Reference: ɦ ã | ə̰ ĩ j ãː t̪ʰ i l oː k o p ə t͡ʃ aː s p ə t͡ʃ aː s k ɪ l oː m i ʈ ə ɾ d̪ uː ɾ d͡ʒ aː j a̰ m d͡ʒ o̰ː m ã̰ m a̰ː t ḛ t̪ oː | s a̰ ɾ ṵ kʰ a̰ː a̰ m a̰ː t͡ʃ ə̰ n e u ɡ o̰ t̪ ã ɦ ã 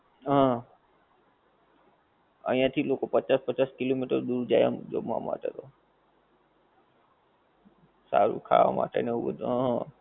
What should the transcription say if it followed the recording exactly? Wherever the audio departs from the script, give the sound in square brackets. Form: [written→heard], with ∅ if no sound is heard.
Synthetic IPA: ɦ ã | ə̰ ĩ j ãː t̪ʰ i l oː k o p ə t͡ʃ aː s p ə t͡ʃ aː s k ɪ l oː m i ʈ ə ɾ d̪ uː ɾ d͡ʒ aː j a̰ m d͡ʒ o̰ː m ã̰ m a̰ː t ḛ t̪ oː | s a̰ ɾ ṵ kʰ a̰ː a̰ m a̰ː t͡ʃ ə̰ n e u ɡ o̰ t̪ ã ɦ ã

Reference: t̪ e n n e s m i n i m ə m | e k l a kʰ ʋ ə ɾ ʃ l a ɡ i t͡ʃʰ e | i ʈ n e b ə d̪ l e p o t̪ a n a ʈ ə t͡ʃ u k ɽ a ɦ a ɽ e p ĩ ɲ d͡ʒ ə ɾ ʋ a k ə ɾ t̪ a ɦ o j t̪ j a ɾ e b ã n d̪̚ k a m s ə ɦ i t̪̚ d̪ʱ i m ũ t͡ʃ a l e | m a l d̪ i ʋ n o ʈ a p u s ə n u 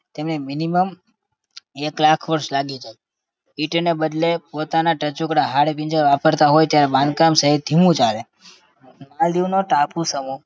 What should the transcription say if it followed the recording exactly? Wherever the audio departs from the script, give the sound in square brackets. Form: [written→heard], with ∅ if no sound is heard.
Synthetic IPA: t̪ e [n→m] n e [s→∅] m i n i m ə m | e k l a kʰ ʋ ə ɾ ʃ l a ɡ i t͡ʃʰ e | i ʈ n e b ə d̪ l e p o t̪ a n a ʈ ə t͡ʃ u k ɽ a ɦ a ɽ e p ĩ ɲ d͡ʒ ə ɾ ʋ a [k→p] ə ɾ t̪ a ɦ o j t̪ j a ɾ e b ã n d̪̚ k a m s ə ɦ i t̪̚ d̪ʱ i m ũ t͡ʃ a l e | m a l d̪ i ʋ n o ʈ a p u s ə [n→m] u

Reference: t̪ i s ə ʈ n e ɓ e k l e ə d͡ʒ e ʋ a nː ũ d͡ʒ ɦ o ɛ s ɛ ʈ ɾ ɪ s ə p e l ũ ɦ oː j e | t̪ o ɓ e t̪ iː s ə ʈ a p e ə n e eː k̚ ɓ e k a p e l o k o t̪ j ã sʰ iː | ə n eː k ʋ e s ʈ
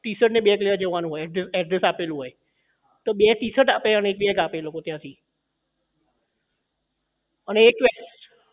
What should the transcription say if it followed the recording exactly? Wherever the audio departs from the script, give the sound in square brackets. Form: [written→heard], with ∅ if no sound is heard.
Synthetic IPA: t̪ i s ə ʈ n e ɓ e k l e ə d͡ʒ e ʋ a [nː→n] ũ [d͡ʒ→∅] ɦ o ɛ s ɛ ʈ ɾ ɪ s [ə→a] p e l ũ ɦ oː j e | t̪ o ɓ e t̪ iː s ə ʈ a p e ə n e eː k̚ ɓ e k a p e l o k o t̪ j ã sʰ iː | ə n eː k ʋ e s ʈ

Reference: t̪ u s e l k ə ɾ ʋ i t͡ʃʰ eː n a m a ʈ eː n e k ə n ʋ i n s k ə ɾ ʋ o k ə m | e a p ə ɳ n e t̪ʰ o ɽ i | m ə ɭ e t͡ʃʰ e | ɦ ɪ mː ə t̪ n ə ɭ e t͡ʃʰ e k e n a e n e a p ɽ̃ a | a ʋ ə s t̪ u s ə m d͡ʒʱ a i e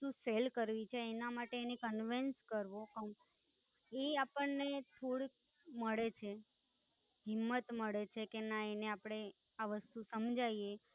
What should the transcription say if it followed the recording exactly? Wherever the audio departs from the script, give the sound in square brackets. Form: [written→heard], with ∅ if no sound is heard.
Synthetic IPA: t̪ u s e l k ə ɾ ʋ i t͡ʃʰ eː n a m a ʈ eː n e k ə n ʋ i n s k ə ɾ ʋ o k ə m | e a p ə ɳ n e t̪ʰ o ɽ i | m ə ɭ e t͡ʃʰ e | ɦ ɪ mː ə t̪ [n→m] ə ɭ e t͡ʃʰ e k e n a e n e a p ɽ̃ [a→e] | a ʋ ə s t̪ u s ə m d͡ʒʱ a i e

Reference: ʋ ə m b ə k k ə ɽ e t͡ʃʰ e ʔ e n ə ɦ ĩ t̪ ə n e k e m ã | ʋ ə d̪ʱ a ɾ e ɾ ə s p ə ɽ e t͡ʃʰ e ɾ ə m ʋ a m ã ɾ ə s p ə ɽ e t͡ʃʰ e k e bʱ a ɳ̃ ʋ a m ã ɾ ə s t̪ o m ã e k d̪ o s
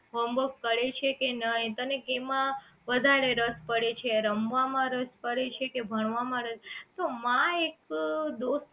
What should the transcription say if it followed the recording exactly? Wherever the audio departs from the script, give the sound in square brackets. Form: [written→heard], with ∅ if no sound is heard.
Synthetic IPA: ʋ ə m b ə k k ə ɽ e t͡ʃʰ e [ʔ→k] e n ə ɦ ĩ t̪ ə n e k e m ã | ʋ ə d̪ʱ a ɾ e ɾ ə s p ə ɽ e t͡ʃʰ e ɾ ə m ʋ a m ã ɾ ə s p ə ɽ e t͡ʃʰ e k e bʱ [a→ə] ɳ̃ ʋ a m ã ɾ ə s t̪ o m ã e k d̪ o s

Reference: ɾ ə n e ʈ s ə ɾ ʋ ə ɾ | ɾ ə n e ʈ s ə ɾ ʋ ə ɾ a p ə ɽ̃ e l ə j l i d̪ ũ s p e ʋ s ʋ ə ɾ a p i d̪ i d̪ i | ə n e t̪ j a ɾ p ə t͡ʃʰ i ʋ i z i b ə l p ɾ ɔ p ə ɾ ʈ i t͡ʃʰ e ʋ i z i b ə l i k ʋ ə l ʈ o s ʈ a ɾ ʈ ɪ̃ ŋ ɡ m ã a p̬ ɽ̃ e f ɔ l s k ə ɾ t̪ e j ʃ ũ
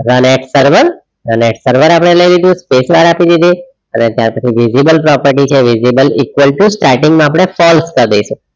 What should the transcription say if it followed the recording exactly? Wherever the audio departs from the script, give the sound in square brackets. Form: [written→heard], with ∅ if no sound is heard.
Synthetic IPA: ɾ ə n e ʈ s ə ɾ ʋ ə ɾ | ɾ ə n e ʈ s ə ɾ ʋ ə ɾ a p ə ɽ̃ e l ə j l i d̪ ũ s p e [ʋ→∅] s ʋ [ə→a] ɾ a p i d̪ i d̪ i | ə n e t̪ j a ɾ p ə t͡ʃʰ i ʋ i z i b ə l p ɾ ɔ p ə ɾ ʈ i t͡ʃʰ e ʋ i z i b ə l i k ʋ ə l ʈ [o→u] s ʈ a ɾ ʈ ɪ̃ ŋ ɡ m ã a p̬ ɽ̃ e f ɔ l s k ə ɾ [t̪→d̪] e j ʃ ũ

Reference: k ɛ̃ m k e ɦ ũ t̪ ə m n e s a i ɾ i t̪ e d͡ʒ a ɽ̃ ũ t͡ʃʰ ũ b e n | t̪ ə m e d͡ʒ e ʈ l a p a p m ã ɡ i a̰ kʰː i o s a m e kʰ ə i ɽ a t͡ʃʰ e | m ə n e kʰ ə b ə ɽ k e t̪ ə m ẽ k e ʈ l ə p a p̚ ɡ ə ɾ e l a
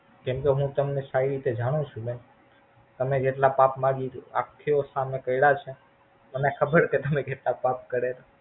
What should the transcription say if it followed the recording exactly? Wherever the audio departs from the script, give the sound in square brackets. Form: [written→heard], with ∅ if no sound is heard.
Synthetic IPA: k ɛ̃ m k e ɦ ũ t̪ ə m n e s a i ɾ i t̪ e d͡ʒ a ɽ̃ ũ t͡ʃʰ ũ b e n | t̪ ə m e d͡ʒ e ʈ l a p a p m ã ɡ i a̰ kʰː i o s a m e [kʰ→k] ə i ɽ a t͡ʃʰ e | m ə n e kʰ ə b ə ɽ k e t̪ ə m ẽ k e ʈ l [ə→a] p a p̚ [ɡ→k] ə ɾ e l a

